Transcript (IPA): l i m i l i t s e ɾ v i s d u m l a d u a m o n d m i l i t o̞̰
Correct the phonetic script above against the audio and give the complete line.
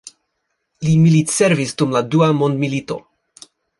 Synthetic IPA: l i m i l i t s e ɾ v i s d u m l a d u a m o n d m i l i t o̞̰